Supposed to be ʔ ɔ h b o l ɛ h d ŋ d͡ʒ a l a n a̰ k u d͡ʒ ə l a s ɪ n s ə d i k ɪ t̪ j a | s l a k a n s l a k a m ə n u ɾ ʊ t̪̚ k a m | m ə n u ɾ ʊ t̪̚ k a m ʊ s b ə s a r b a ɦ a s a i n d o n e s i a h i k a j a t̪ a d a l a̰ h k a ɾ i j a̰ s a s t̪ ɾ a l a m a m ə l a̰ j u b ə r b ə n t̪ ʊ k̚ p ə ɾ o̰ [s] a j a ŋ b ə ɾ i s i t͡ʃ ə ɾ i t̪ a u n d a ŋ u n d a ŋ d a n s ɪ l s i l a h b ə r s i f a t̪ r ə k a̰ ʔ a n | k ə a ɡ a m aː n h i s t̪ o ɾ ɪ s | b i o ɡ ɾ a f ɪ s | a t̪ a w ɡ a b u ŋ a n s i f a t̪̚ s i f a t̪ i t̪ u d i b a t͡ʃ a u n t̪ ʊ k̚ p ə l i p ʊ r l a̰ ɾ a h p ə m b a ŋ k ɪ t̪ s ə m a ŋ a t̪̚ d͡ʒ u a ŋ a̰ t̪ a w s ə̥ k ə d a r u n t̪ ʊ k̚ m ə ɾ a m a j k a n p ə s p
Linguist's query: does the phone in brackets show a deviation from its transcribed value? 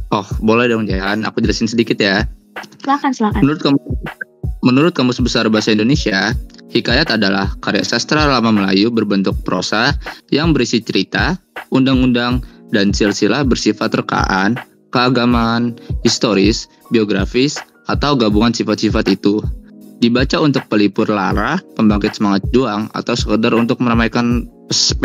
no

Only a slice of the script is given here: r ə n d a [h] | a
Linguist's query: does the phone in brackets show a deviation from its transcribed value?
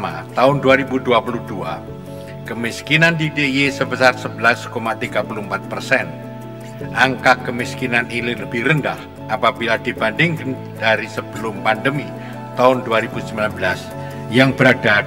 no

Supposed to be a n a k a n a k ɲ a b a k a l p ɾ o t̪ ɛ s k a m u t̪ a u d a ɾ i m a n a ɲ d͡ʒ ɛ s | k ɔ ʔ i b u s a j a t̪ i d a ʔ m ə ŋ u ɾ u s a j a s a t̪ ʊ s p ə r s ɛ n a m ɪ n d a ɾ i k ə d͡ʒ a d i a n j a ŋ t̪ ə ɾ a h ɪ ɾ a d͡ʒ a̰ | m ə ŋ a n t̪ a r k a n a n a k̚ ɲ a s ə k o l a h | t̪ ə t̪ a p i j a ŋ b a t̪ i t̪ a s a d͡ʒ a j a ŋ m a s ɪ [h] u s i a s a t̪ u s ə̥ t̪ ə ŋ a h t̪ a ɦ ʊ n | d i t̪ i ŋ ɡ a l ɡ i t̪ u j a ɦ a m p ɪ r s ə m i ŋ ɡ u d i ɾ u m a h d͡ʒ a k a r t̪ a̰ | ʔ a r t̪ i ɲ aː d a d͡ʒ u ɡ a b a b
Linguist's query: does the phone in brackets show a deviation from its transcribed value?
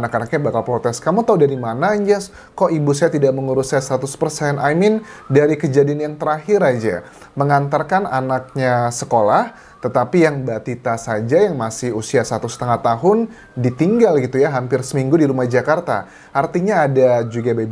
no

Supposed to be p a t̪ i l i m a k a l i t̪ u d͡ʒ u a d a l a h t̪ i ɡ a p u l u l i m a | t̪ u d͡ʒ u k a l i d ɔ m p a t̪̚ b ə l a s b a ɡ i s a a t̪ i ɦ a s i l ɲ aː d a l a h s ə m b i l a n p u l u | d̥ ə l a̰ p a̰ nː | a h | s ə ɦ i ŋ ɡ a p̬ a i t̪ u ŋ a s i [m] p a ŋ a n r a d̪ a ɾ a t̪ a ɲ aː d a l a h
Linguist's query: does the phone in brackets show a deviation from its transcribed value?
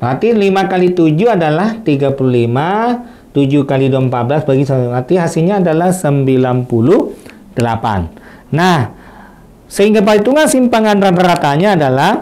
no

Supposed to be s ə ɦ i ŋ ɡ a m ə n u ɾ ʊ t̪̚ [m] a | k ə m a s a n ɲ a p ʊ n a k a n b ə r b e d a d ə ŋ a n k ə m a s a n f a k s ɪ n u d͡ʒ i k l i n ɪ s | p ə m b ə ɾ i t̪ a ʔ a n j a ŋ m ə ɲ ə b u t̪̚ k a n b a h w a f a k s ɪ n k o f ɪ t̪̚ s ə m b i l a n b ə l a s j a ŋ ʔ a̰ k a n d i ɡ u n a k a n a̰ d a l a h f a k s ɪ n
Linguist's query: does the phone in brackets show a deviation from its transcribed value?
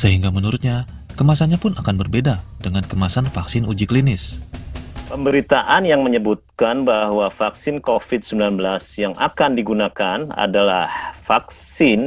yes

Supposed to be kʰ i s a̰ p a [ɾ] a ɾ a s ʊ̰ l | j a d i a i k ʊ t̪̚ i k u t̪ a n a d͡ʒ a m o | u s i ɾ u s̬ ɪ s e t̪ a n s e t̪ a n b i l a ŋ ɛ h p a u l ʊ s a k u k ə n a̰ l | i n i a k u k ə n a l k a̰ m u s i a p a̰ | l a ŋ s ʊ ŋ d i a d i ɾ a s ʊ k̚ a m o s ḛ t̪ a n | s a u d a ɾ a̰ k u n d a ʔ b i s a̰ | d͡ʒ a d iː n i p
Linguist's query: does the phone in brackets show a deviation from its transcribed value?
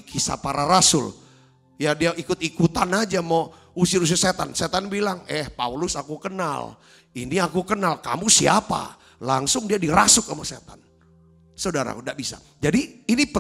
no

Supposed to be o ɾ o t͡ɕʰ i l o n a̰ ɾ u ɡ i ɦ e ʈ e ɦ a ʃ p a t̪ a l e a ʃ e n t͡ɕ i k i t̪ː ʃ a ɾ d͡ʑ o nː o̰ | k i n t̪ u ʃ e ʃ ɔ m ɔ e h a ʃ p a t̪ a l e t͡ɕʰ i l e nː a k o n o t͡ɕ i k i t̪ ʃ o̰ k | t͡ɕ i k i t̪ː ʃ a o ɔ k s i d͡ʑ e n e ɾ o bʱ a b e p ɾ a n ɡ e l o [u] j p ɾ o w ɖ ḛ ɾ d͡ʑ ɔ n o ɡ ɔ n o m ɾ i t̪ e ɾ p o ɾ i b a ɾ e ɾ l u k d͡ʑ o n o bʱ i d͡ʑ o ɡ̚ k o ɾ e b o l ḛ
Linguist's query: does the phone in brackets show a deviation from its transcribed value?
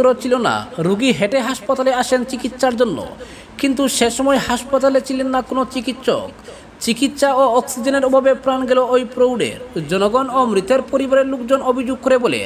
yes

